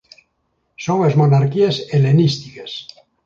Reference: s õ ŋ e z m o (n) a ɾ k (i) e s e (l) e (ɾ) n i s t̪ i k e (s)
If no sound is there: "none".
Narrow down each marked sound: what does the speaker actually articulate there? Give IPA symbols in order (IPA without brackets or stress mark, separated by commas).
n, i, l, none, s